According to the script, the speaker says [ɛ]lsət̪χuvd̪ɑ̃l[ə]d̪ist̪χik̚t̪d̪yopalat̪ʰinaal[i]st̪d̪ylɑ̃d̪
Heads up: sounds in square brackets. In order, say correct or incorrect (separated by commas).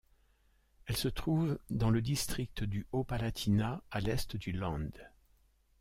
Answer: correct, correct, incorrect